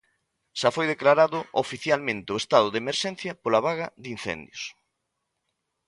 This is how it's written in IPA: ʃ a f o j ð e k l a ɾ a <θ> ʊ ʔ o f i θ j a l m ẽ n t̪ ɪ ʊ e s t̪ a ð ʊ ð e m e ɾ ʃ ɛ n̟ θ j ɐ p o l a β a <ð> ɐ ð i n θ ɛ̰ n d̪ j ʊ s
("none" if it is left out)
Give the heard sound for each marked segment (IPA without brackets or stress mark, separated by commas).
ð, ɣ